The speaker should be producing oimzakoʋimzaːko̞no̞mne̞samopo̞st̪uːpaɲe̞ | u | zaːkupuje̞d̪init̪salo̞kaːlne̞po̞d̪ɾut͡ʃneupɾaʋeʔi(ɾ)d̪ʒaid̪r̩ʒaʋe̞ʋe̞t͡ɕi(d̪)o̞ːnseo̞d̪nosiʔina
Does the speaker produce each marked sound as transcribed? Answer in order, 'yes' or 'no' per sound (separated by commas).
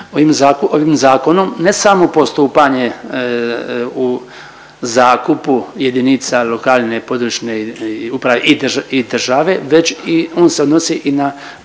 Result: no, no